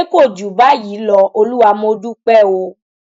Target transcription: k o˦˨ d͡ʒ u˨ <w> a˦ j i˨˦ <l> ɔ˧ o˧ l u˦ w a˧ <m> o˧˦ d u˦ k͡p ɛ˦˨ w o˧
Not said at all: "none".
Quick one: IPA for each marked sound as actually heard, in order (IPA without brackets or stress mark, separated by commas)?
b, l, m